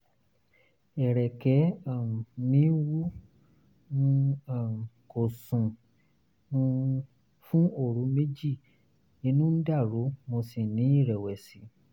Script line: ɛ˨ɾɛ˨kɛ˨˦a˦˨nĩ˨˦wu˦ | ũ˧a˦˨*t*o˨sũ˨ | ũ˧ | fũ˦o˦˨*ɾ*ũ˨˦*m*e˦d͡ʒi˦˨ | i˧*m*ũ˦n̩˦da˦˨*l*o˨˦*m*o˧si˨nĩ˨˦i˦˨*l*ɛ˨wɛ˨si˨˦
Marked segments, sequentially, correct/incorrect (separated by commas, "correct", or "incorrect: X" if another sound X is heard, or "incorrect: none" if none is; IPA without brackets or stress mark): incorrect: k, correct, correct, incorrect: n, incorrect: ɾ, correct, incorrect: ɾ